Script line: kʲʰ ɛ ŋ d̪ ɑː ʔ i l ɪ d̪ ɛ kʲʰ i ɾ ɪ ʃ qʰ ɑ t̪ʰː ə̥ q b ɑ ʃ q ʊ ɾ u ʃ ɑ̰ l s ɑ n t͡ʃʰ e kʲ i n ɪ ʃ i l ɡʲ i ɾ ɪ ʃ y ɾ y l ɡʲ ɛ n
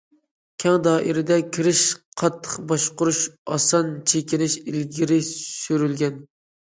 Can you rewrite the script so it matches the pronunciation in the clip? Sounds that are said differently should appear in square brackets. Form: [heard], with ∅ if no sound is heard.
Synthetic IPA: kʲʰ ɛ ŋ d̪ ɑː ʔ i [ɾ] ɪ d̪ ɛ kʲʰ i ɾ ɪ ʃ qʰ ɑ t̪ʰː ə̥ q b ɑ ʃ q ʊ ɾ u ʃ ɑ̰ [∅] s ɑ n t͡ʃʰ e kʲ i n ɪ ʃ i l ɡʲ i ɾ ɪ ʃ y ɾ y l ɡʲ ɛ n